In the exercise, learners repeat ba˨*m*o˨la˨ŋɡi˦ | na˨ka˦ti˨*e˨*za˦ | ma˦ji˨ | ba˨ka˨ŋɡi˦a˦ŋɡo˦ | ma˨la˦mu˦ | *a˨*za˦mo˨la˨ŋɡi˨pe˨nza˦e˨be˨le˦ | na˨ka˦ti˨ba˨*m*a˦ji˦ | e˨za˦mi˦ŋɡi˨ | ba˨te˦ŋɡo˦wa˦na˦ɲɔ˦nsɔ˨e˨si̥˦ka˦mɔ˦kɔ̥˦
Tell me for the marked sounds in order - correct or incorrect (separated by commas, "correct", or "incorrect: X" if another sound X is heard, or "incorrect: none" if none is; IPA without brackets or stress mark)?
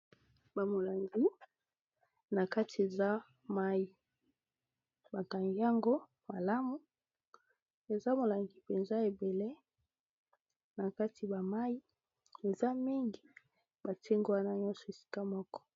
correct, correct, incorrect: e˨, correct